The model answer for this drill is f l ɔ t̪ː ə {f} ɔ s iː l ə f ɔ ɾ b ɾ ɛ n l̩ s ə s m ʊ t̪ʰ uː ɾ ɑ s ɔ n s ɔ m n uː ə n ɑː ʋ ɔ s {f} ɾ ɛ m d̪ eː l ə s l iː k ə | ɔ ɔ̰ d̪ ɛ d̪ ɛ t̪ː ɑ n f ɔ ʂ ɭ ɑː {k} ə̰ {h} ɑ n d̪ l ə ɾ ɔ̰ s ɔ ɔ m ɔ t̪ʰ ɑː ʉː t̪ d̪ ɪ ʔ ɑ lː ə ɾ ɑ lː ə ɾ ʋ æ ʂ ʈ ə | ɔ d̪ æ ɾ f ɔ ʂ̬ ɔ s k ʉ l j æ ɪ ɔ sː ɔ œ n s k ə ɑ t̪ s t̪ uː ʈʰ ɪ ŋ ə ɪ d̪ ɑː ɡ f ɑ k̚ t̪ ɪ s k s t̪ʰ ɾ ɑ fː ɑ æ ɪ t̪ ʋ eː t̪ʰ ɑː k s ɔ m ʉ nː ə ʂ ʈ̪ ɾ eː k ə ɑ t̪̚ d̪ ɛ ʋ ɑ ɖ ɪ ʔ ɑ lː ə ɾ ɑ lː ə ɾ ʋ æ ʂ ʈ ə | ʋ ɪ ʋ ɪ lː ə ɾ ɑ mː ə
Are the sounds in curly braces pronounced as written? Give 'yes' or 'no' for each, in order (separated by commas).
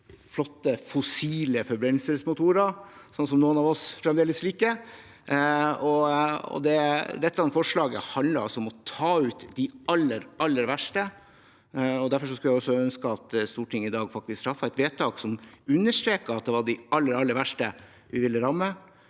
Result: yes, yes, no, yes